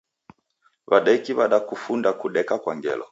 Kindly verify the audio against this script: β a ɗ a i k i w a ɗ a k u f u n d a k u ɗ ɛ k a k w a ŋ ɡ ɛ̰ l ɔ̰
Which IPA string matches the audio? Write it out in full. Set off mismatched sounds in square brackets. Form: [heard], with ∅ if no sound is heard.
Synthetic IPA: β a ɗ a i k i [β] a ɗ a k u f u n d a k u ɗ ɛ k a k w a ŋ ɡ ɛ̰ l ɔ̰